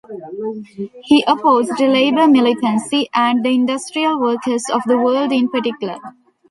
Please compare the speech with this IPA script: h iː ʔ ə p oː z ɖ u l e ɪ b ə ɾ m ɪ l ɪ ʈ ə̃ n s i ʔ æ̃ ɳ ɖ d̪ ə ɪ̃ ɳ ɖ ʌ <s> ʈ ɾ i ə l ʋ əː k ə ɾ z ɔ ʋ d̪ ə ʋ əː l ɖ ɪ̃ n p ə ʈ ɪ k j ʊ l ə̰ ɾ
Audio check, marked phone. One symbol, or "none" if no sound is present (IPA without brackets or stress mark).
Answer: s